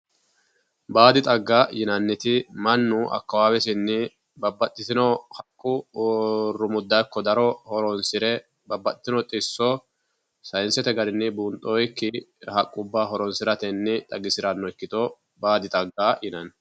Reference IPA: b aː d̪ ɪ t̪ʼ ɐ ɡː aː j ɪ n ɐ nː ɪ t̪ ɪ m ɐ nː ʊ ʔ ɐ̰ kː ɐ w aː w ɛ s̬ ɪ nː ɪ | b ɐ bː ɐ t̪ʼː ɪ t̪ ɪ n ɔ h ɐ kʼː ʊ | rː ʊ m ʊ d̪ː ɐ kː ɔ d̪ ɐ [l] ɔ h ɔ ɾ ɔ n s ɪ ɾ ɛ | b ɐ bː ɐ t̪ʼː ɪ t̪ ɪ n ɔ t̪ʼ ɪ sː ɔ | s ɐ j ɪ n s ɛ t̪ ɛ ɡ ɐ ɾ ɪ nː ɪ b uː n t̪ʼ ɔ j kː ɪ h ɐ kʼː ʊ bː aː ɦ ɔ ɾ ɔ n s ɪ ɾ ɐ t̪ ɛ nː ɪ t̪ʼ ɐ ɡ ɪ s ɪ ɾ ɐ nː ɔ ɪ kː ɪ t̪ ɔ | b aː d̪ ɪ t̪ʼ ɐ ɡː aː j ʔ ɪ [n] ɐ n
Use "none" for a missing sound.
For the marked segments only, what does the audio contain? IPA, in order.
ɾ, n

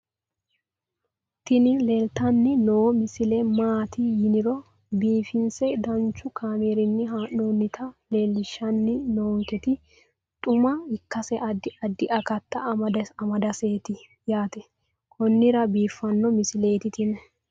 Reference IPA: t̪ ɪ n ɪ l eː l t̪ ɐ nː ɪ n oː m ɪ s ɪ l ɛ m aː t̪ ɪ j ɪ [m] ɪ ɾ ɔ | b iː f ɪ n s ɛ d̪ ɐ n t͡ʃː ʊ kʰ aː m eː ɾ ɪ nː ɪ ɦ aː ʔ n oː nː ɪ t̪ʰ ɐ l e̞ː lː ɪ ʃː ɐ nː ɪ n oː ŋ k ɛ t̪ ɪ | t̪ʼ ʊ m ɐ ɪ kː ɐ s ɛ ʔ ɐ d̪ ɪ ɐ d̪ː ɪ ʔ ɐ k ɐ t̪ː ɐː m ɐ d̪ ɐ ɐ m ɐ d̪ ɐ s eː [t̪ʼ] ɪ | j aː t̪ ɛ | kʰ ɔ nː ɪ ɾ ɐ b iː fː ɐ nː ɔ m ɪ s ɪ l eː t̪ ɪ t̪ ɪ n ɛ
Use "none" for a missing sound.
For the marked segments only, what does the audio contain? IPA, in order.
n, t̪

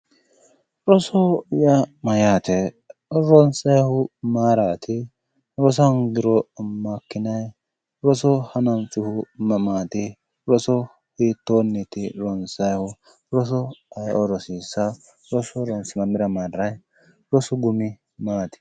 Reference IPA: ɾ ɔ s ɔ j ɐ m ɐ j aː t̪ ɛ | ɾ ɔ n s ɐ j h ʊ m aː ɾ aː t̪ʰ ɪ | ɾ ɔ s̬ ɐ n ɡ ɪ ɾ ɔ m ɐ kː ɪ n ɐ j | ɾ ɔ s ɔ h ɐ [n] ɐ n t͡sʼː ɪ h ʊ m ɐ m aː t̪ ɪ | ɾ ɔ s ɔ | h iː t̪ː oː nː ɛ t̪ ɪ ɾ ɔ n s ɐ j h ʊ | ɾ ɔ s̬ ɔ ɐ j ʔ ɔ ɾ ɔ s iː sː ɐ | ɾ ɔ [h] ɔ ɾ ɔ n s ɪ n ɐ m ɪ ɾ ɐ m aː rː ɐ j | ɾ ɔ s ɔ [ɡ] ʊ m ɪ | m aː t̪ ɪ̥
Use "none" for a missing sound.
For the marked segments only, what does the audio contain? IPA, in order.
n, s, ɡ

